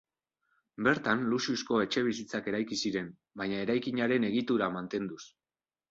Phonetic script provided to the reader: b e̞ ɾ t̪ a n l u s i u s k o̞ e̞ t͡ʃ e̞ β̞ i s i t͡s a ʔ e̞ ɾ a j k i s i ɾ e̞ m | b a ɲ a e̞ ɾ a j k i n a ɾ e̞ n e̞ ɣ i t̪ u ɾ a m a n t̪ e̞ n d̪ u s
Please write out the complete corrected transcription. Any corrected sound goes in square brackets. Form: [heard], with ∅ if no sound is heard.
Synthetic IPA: b e̞ ɾ t̪ a n l u s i u s k o̞ e̞ t͡ʃ e̞ β̞ i s i t͡s a [k] e̞ ɾ a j k i s i ɾ e̞ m | b a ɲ a e̞ ɾ a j k i [ɲ] a ɾ e̞ n e̞ ɣ i t̪ u ɾ a m a n t̪ e̞ n d̪ u s